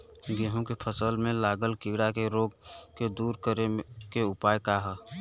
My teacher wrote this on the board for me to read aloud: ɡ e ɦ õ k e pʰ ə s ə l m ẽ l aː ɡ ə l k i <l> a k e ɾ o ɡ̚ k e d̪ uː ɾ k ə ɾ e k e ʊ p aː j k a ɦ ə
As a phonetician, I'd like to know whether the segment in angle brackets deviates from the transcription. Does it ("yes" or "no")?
yes